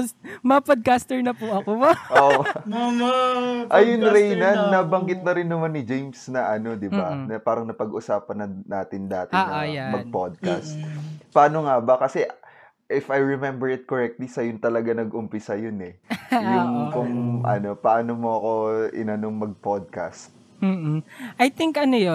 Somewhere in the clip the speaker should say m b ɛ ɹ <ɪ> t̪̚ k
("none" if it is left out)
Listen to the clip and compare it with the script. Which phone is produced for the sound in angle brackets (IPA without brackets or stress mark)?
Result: ɪ